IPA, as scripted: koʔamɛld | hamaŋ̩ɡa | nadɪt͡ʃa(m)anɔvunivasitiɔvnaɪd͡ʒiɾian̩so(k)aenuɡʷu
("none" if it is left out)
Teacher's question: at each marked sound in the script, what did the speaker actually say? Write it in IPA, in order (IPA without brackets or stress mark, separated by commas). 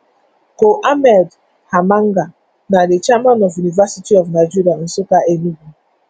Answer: m, k